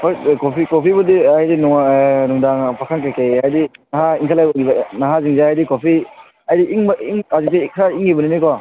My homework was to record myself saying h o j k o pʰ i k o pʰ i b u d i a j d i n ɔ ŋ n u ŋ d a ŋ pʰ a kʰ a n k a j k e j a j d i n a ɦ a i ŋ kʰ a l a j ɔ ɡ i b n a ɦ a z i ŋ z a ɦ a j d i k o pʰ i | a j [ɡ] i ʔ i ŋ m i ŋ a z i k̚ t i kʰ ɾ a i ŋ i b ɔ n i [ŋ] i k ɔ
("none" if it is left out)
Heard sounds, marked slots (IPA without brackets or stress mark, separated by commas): d, n